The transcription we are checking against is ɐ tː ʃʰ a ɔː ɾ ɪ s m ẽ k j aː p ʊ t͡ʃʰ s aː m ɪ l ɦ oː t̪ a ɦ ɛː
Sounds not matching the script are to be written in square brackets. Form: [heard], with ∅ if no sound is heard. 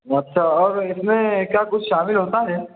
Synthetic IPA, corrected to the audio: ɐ tː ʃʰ a ɔː ɾ ɪ s m ẽ k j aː [k] ʊ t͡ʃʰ [ʃ] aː m ɪ l ɦ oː t̪ a ɦ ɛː

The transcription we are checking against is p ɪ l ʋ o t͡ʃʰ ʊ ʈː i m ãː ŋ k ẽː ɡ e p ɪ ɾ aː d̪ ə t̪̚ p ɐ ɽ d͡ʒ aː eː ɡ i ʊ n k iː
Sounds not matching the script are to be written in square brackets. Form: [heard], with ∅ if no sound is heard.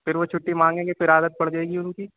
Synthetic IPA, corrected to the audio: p ɪ [ɾ] ʋ o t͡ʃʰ ʊ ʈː i m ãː ŋ [ɡ] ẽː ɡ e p ɪ ɾ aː d̪ ə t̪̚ p ɐ ɽ d͡ʒ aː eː ɡ i ʊ n k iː

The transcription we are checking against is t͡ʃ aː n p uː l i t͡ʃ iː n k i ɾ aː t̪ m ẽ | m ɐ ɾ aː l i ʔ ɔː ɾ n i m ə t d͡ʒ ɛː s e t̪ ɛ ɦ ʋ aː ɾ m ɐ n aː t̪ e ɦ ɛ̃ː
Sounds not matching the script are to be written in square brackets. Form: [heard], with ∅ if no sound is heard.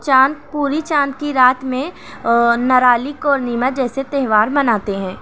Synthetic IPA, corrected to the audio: t͡ʃ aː n p uː [ɾ] i t͡ʃ [aː] n k i ɾ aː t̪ m ẽ | [n] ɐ ɾ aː l i [k] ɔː ɾ n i m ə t d͡ʒ ɛː s e t̪ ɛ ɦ ʋ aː ɾ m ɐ n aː t̪ e ɦ ɛ̃ː

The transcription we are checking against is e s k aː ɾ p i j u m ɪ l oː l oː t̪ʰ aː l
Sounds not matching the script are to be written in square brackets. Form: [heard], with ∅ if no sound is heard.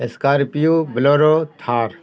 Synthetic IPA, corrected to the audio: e s k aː ɾ p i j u [b] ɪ l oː [ɾ] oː t̪ʰ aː [ɾ]

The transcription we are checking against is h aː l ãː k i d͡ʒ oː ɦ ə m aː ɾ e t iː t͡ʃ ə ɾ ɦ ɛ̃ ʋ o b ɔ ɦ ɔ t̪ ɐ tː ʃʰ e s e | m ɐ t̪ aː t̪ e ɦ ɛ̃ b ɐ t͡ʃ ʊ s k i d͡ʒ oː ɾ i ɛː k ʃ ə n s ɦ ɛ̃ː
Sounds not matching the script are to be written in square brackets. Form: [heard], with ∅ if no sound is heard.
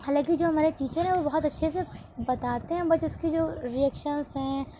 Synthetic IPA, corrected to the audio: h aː l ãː k i d͡ʒ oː ɦ [ɐ] m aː ɾ e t iː t͡ʃ ə ɾ ɦ ɛ̃ ʋ o b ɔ ɦ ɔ t̪ ɐ tː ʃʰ e s e | [b] ɐ t̪ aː t̪ e ɦ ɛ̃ b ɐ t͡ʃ ʊ s k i d͡ʒ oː ɾ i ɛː k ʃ ə n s ɦ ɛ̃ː

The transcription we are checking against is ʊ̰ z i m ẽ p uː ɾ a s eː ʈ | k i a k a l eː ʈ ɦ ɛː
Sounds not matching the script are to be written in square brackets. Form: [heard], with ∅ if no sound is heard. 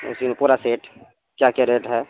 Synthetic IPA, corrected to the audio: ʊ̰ [s] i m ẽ p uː ɾ a s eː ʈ | k [j] a k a [ɾ] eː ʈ ɦ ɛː

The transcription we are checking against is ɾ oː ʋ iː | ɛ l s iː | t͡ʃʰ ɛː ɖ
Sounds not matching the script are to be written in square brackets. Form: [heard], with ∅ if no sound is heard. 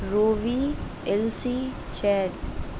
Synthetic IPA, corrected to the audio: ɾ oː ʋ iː | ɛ l s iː | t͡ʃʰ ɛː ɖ

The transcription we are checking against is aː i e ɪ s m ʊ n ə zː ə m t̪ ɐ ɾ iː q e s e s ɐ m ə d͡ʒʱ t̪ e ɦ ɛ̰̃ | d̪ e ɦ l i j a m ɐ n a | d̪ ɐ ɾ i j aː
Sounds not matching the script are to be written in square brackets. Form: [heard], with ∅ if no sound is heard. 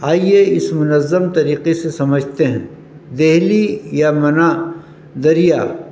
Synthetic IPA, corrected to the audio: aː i e ɪ s m ʊ n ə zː ə m t̪ ɐ ɾ iː q e s e s ɐ m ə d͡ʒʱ t̪ e ɦ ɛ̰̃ | d̪ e ɦ l i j a m ɐ n a | d̪ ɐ ɾ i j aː

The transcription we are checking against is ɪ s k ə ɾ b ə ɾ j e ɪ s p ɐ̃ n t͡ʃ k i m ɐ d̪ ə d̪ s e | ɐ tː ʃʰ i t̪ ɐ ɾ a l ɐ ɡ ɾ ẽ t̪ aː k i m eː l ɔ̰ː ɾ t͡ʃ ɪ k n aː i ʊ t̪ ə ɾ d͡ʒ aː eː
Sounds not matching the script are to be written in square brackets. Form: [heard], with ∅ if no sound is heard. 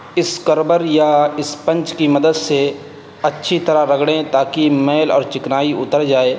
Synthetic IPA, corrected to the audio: ɪ s k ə ɾ b ə ɾ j [a] ɪ s p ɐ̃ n t͡ʃ k i m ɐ d̪ ə d̪ s e | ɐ tː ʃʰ i t̪ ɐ ɾ a [ɾ] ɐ ɡ [ɽ] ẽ t̪ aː k i m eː l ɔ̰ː ɾ t͡ʃ ɪ k n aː i ʊ t̪ ə ɾ d͡ʒ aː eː

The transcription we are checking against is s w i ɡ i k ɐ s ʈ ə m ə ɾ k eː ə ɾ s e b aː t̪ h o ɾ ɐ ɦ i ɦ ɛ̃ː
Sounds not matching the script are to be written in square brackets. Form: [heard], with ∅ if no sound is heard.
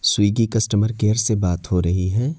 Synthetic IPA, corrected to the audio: s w [iː] ɡ i k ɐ s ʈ ə m ə ɾ k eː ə ɾ s e b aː t̪ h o ɾ ɐ ɦ i ɦ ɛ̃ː

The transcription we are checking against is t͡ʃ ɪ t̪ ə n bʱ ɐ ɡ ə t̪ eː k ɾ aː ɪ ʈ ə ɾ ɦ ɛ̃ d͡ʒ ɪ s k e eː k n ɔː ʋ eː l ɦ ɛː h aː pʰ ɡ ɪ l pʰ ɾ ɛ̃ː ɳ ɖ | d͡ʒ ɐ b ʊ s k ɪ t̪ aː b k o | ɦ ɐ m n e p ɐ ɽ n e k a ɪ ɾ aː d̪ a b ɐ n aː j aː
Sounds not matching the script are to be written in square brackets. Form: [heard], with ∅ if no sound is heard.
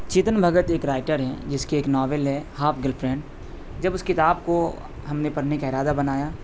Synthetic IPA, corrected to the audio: t͡ʃ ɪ t̪ ə n bʱ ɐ ɡ ə t̪ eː k ɾ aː ɪ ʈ ə ɾ ɦ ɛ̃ d͡ʒ ɪ s k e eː k n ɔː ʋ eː l ɦ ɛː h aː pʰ ɡ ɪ l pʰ ɾ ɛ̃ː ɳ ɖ | d͡ʒ ɐ b ʊ s k ɪ t̪ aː b k o | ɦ ɐ m n e p ɐ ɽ n e k a ɪ ɾ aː d̪ a b ɐ n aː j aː

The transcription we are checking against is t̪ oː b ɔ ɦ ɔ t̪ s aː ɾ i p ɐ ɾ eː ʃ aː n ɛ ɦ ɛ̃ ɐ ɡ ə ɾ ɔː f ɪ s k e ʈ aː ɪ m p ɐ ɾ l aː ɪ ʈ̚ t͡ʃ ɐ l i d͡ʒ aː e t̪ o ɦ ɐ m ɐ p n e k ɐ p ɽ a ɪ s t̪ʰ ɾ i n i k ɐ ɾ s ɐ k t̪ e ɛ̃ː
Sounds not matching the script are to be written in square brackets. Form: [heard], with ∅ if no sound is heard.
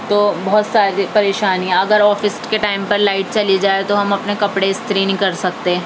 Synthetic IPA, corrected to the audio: t̪ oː b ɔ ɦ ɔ t̪ s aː ɾ i p ɐ ɾ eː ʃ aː n [i] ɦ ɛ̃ ɐ ɡ ə ɾ ɔː f ɪ s k e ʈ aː ɪ m p ɐ ɾ l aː ɪ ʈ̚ t͡ʃ ɐ l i d͡ʒ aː e t̪ o ɦ ɐ m ɐ p n e k ɐ p ɽ [e] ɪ s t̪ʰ ɾ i n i k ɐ ɾ s ɐ k t̪ e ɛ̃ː

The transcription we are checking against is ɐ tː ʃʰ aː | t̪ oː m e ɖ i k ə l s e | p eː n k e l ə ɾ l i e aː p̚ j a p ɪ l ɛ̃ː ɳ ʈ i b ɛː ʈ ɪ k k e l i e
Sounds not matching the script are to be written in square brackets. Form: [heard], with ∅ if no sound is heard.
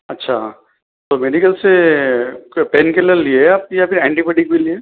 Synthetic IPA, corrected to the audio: ɐ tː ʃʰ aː | t̪ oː m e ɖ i k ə l s e | p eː n k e l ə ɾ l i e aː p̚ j a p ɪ [ɾ] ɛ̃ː ɳ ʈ i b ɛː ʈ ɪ k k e l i e

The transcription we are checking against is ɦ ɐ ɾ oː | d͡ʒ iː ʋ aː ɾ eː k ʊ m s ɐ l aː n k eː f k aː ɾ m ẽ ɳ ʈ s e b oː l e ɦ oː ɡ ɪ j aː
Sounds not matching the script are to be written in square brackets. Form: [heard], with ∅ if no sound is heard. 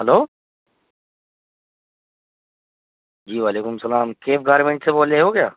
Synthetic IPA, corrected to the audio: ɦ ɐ [l] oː | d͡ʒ iː ʋ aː [l] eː k ʊ m s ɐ l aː [m] k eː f [ɡ] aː ɾ m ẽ ɳ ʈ s e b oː l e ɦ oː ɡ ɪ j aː

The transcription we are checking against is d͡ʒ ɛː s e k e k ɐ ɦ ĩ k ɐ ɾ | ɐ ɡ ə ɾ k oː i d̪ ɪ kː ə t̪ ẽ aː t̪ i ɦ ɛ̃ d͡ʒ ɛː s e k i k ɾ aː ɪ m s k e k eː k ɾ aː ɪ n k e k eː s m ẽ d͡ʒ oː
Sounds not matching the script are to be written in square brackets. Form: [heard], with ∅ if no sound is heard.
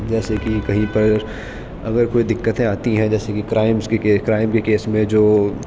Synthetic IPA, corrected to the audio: d͡ʒ ɛː s e k [i] k ɐ ɦ ĩ [p] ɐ ɾ | ɐ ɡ ə ɾ k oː i d̪ ɪ kː ə t̪ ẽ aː t̪ i ɦ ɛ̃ d͡ʒ ɛː s e k i k ɾ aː ɪ m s k e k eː k ɾ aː ɪ [m] k e k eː s m ẽ d͡ʒ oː

